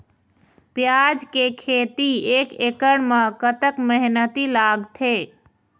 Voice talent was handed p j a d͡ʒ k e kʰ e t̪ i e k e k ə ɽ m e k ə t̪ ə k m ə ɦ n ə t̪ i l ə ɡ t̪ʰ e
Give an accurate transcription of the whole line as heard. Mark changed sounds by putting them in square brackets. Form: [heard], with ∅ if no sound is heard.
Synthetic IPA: p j a d͡ʒ k e kʰ e t̪ i e k e k ə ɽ m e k ə t̪ ə k m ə ɦ n ə t̪ i l [a] ɡ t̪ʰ e